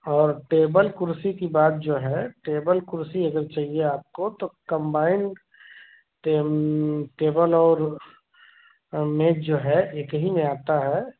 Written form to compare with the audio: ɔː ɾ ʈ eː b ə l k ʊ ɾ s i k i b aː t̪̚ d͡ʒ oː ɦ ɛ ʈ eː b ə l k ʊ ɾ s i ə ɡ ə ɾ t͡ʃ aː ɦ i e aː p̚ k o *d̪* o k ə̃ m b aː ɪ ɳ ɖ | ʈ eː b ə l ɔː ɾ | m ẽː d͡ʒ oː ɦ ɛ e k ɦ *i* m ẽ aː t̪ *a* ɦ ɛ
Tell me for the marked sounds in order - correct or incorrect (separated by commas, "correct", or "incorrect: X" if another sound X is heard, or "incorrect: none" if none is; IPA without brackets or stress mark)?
incorrect: t̪, correct, correct